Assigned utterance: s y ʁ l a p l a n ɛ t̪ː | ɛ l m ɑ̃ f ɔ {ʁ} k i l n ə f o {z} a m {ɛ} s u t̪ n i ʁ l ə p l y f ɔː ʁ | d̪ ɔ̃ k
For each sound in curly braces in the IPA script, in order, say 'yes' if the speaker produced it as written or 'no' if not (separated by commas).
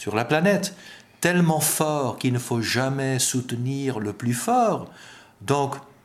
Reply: yes, no, yes